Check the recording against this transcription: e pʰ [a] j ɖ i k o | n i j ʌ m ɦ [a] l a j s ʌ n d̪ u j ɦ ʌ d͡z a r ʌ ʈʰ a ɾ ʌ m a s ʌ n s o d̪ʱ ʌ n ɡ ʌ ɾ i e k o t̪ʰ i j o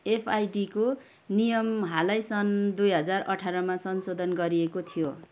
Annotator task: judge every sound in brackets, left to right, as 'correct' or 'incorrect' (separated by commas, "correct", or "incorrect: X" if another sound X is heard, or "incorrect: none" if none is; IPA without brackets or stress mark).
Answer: correct, correct